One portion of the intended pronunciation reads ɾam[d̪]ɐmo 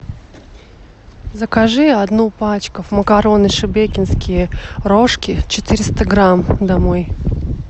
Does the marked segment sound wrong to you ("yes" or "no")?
no